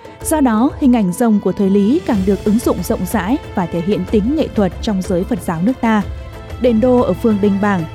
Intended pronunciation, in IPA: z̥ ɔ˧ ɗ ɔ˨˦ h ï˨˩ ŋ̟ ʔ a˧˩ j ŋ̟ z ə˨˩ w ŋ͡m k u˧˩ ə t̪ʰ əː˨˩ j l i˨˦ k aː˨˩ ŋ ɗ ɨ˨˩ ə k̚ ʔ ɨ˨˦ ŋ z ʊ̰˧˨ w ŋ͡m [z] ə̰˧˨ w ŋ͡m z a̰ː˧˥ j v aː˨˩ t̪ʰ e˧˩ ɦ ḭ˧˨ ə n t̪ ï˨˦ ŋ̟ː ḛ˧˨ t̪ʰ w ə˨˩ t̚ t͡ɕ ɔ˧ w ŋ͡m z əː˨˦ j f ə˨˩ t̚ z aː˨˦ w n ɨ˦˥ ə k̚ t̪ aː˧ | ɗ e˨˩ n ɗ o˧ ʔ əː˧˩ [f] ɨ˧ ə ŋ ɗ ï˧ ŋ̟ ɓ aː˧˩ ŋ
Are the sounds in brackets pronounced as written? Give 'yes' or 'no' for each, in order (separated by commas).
yes, yes